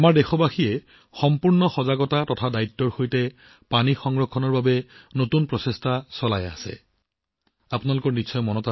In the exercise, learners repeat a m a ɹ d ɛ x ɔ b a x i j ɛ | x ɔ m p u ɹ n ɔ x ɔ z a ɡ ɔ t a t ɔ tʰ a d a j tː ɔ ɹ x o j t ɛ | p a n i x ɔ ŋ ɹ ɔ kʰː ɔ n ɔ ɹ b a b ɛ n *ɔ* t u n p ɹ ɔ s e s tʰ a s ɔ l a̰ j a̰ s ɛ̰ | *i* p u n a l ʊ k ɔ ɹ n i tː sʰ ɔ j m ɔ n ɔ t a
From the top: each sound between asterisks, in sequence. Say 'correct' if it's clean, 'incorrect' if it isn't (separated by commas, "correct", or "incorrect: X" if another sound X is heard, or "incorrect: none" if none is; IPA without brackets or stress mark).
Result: incorrect: o, incorrect: a